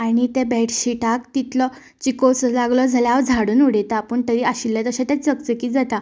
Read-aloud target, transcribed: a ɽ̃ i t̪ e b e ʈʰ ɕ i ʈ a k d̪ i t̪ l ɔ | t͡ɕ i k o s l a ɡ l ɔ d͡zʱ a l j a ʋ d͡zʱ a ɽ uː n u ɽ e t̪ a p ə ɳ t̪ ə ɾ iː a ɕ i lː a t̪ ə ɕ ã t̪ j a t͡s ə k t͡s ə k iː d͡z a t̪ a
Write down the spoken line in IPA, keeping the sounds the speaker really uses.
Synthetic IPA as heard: a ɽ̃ i t̪ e b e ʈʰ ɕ i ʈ a k t̪ i t̪ l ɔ | t͡ɕ i k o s l a ɡ l ɔ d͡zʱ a l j a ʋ d͡zʱ a ɽ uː n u ɽ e t̪ a p ə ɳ t̪ ə ɾ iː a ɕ i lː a t̪ ə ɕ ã t̪ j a t͡s ə k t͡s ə k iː d͡z a t̪ a

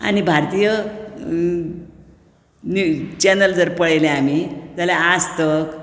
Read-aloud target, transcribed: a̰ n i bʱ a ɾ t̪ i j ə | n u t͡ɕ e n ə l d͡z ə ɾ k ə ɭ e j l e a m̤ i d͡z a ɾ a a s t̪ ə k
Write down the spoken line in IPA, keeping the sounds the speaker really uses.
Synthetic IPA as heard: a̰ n i bʱ a ɾ t̪ i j ə | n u t͡ɕ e n ə l d͡z ə ɾ p ə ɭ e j l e a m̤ i d͡z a l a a s t̪ ə k

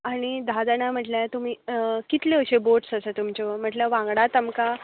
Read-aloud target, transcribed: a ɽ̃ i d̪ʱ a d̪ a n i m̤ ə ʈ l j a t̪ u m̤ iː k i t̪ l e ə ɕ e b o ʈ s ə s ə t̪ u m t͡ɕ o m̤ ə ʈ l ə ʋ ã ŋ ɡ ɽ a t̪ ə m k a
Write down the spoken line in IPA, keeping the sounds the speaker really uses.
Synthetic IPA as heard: a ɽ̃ i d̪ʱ a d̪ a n a m̤ ə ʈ l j a t̪ u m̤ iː k i t̪ l e ə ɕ e b o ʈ s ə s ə t̪ u m t͡ɕ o m̤ ə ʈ l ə ʋ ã ŋ ɡ ɽ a t̪ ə m k a

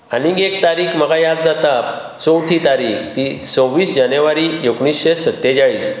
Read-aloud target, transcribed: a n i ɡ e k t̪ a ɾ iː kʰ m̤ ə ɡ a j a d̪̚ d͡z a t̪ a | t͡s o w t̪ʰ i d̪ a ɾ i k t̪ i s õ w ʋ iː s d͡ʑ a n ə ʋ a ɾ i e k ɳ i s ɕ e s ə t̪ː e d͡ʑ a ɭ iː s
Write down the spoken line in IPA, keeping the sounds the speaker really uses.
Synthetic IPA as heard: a n i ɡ e k t̪ a ɾ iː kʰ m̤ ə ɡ a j a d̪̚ d͡z a t̪ a | t͡s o w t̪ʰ i t̪ a ɾ i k t̪ i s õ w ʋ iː s d͡ʑ a n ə ʋ a ɾ i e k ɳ i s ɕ e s ə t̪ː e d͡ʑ a ɭ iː s

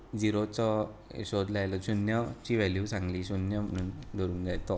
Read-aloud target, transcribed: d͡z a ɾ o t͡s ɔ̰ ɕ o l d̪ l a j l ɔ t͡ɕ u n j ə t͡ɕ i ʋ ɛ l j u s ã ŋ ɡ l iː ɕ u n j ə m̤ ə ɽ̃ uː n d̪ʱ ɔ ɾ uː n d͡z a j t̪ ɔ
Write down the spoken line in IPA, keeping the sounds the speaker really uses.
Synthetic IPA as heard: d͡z i ɾ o t͡s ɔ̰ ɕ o d̪ l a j l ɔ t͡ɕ u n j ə t͡ɕ i ʋ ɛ l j u s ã ŋ ɡ l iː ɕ u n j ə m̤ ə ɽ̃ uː n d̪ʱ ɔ ɾ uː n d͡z a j t̪ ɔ

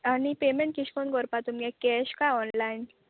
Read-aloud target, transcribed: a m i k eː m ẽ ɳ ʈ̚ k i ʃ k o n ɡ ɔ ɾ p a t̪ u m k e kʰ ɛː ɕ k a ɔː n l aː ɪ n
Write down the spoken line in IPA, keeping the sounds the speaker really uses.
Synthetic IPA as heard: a n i p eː m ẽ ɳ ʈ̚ k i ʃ k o n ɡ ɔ ɾ p a t̪ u m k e k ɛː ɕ k a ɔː n l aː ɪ n

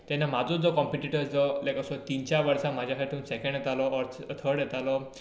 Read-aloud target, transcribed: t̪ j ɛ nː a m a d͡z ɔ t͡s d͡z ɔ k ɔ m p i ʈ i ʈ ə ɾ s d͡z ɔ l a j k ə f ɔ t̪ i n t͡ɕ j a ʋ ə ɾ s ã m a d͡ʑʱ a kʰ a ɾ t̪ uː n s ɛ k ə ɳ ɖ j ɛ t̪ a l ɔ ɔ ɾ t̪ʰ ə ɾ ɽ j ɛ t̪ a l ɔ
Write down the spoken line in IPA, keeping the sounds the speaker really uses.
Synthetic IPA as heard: t̪ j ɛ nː a m a d͡z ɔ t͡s d͡z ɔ k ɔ m p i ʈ i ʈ ə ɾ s d͡z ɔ l a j k ə s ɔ t̪ i n t͡ɕ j a ʋ ə ɾ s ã m a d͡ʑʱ a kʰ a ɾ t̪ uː n s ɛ k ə ɳ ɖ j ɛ t̪ a l ɔ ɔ ɾ t̪ʰ ə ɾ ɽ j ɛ t̪ a l ɔ

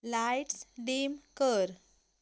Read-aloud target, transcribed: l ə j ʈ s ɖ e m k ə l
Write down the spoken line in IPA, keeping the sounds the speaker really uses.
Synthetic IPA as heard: l a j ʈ s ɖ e m k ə ɾ

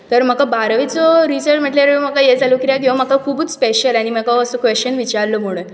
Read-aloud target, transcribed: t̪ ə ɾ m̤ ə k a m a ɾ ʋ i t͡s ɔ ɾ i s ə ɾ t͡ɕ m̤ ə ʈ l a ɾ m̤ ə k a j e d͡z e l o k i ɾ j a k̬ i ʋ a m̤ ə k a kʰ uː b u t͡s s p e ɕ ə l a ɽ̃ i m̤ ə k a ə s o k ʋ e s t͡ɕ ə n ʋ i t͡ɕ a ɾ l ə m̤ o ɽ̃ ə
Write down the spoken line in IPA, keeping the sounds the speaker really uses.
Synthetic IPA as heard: t̪ ə ɾ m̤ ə k a b a ɾ ʋ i t͡s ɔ ɾ i s ə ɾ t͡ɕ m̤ ə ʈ l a ɾ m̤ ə k a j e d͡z a l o k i ɾ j a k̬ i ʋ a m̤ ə k a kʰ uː b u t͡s s p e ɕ ə l a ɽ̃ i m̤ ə k a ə s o k ʋ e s t͡ɕ ə n ʋ i t͡ɕ a ɾ l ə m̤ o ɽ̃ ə

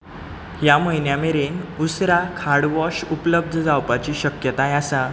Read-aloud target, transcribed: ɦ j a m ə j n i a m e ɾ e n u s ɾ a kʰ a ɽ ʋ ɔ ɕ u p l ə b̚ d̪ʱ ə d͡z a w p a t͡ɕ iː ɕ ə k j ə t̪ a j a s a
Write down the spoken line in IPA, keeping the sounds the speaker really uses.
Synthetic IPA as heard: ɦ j a m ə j n j a m e ɾ e n u s ɾ a kʰ a ɽ ʋ ɔ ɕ u p l ə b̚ d̪ʱ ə d͡z a w p a t͡ɕ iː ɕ ə k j ə t̪ a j a s a

